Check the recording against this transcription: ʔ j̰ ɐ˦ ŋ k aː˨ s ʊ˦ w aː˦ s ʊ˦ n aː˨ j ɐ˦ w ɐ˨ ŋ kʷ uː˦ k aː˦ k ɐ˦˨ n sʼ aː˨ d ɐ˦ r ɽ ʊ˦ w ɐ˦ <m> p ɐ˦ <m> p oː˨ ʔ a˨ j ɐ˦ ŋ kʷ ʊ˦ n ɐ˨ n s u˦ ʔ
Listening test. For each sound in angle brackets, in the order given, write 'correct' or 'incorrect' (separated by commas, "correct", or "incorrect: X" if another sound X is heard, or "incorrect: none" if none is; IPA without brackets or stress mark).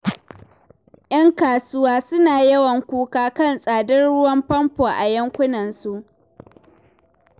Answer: correct, correct